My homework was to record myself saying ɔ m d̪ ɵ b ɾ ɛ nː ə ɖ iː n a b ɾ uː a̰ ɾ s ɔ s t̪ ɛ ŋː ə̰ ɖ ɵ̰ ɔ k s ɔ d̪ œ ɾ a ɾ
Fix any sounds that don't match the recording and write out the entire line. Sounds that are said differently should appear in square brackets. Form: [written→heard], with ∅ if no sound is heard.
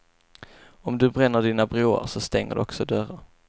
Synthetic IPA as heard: ɔ m d̪ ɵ b ɾ ɛ nː ə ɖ iː n a b ɾ uː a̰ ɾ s ɔ s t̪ ɛ ŋː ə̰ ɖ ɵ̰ ɔ k s ɔ d̪ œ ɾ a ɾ